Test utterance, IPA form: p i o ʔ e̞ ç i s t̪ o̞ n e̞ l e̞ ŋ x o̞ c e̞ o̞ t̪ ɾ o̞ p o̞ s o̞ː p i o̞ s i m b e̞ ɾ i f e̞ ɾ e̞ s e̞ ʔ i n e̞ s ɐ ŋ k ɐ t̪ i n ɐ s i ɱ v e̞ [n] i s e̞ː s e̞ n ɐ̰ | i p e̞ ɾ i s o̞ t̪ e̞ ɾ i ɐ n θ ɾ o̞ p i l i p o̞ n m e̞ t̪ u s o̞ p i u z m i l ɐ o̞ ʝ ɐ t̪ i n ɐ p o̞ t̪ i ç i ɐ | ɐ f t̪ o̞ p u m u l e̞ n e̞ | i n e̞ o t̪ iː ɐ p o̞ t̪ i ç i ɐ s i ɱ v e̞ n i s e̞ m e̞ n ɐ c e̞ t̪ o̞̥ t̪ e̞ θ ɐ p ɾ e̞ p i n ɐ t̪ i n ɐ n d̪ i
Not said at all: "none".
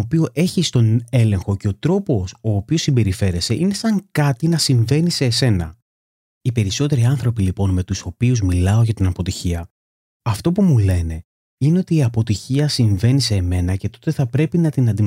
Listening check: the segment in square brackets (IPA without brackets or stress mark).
n